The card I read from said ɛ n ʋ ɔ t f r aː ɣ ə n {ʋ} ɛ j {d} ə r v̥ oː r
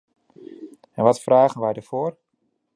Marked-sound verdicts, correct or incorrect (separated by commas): correct, correct